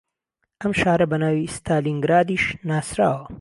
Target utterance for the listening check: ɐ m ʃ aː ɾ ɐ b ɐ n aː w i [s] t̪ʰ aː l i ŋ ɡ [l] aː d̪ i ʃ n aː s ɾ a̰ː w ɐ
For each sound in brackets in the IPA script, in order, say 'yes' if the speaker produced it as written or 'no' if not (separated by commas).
yes, no